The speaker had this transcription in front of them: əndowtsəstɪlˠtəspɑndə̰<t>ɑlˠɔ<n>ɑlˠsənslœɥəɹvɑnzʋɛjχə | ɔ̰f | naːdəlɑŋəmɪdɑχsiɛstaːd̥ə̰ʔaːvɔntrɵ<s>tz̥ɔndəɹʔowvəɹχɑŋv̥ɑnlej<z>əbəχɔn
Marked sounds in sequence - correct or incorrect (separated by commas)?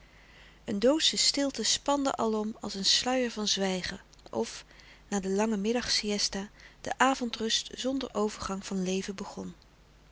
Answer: incorrect, incorrect, correct, incorrect